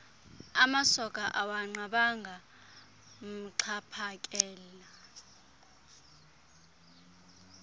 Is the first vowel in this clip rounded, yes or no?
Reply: no